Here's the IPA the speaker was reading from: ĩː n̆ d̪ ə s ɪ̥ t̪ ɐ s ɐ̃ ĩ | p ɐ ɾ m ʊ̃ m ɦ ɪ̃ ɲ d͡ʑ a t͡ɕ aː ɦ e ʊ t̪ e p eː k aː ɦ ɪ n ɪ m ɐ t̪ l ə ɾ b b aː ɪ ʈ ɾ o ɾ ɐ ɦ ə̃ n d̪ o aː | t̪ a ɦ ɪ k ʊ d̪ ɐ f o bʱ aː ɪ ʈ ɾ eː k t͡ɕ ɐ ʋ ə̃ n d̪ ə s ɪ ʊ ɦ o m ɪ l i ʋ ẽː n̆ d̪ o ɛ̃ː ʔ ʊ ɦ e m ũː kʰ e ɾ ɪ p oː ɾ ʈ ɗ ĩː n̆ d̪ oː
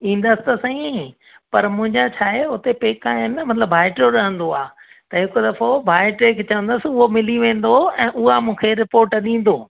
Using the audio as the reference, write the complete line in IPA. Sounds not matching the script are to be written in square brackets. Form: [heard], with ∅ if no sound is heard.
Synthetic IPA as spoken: ĩː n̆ d̪ ə s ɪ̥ t̪ ɐ s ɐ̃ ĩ | p ɐ ɾ m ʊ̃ [∅] ɦ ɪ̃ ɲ d͡ʑ a [t͡ɕʰ] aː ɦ e ʊ t̪ e p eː k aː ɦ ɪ n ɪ m ɐ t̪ l ə [∅] b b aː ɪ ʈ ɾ o ɾ ɐ ɦ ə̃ n d̪ o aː | t̪ [ɐ] ɦ ɪ k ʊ d̪ ɐ f o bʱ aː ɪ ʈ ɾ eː k t͡ɕ ɐ ʋ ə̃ n d̪ ə s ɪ ʊ ɦ o m ɪ l i ʋ ẽː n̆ d̪ o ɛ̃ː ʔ ʊ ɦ [a] m ũː kʰ e ɾ ɪ p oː ɾ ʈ ɗ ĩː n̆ d̪ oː